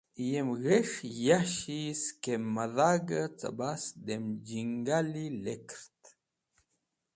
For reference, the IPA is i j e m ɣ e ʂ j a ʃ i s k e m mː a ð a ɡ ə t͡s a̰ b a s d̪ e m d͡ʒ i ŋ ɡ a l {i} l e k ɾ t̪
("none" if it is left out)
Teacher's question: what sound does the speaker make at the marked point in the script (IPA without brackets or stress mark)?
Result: i